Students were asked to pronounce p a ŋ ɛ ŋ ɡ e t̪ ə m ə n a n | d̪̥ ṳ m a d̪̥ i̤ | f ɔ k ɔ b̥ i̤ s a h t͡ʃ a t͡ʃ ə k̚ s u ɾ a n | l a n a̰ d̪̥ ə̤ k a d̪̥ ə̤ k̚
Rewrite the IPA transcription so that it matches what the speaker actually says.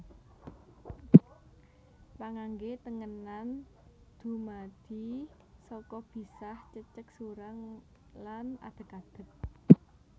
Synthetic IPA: p a ŋ a ŋ ɡ e t̪ ə ŋ ə n a n | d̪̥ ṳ m a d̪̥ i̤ | s ɔ k ɔ b̥ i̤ s a h t͡ʃ ə t͡ʃ ə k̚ s u ɾ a ŋ | l a n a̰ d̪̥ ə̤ k a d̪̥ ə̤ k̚